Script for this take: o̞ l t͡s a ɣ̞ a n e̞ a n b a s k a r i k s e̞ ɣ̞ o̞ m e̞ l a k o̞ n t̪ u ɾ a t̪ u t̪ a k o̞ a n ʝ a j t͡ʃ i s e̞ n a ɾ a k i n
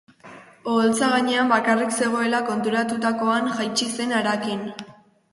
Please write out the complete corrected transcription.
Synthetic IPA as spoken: o̞ l t͡s a ɣ̞ a ɲ e̞ a m b a k a r i k s e̞ ɣ̞ o̞ e̞ l a k o̞ n t̪ u ɾ a t̪ u t̪ a k o̞ a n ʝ a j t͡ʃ i s e̞ n a ɾ a k i n